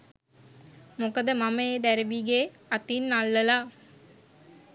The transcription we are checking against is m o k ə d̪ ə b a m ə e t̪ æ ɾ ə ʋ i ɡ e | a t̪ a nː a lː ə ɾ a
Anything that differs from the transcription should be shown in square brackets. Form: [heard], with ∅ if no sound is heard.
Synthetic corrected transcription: m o k ə d̪ ə [m] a m ə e [d̪] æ ɾ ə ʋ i ɡ e | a t̪ [i] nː a lː ə [l] a